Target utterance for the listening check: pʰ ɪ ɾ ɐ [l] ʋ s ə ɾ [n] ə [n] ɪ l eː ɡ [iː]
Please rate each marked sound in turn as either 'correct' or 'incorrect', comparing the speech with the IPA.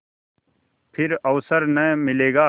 incorrect, correct, incorrect, incorrect

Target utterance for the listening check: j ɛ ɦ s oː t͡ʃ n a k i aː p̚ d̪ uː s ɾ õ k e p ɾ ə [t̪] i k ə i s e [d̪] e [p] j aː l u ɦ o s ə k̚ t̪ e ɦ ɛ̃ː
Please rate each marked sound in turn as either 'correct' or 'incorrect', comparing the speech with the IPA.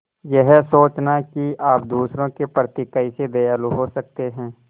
correct, correct, incorrect

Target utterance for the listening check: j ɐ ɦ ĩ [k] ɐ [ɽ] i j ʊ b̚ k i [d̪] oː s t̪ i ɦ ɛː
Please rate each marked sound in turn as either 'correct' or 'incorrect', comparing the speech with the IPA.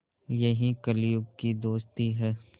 correct, incorrect, correct

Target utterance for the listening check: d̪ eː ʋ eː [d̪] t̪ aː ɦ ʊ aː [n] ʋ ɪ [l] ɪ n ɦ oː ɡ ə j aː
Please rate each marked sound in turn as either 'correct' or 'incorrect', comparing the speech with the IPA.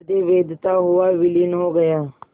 correct, incorrect, correct

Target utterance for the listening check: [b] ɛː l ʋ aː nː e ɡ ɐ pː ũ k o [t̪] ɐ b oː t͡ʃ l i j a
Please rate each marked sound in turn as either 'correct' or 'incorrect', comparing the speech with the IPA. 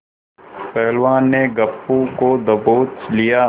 incorrect, incorrect

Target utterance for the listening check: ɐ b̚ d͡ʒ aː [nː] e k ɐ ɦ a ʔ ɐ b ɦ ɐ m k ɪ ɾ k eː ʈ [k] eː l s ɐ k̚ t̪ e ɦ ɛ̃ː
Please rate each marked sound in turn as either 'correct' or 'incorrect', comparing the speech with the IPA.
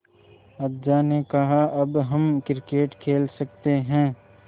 incorrect, incorrect

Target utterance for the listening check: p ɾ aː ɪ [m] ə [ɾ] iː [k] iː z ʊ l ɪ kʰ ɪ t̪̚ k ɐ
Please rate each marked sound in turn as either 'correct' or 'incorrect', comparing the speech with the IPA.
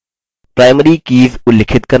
correct, correct, correct

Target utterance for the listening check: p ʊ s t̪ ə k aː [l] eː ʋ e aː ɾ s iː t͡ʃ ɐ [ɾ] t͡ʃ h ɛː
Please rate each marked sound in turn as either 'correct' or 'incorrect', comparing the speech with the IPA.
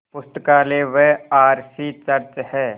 correct, correct

